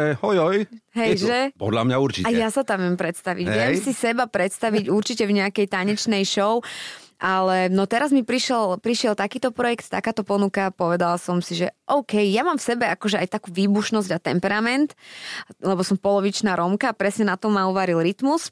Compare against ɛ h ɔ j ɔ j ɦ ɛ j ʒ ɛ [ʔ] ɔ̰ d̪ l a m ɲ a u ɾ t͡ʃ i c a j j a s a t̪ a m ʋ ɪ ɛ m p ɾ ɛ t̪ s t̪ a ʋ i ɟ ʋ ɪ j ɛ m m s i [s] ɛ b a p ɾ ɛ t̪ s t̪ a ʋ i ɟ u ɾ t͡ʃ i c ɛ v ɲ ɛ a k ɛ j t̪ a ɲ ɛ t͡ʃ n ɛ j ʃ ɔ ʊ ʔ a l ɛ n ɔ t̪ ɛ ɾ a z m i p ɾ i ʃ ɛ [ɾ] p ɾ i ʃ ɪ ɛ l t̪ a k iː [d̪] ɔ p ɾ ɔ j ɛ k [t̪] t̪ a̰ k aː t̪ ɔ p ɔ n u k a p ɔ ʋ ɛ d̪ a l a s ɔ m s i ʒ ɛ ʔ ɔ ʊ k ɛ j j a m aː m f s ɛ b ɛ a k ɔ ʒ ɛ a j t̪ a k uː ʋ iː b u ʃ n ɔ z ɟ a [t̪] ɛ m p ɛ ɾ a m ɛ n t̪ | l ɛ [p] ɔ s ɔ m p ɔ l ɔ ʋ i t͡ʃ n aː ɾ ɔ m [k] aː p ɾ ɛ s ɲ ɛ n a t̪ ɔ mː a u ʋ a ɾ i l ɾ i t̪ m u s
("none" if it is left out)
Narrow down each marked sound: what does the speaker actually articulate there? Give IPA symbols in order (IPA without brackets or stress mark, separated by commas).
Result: p, s, l, t̪, t̪, t̪, b, k